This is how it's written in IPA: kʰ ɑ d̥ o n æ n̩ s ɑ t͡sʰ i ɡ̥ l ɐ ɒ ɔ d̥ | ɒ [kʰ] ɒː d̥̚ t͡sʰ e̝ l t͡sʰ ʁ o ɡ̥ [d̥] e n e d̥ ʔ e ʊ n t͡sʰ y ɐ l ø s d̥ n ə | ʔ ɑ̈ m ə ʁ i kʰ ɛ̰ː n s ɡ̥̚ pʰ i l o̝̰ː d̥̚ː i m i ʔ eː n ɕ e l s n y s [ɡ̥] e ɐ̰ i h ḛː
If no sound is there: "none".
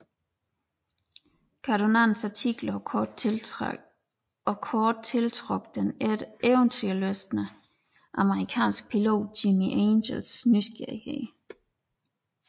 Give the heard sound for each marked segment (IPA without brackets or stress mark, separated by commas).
kʰ, d̥, ɡ̥